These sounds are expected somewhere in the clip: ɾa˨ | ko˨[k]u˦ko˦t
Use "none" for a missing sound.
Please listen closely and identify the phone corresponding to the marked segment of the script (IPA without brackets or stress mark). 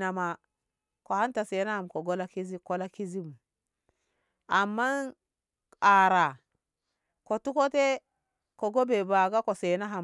t